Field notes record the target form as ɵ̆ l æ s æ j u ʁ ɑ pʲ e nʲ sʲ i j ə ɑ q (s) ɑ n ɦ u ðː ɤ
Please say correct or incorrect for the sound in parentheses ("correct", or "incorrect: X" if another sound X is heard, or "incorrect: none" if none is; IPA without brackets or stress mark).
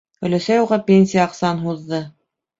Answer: correct